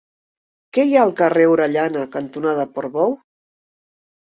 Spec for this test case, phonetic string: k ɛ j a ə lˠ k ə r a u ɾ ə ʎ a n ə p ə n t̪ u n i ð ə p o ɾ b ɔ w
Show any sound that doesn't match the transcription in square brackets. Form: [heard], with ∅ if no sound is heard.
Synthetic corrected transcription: k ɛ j a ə lˠ k ə r [e] u ɾ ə ʎ a n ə [k] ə n t̪ u n [a] ð ə p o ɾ [β] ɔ w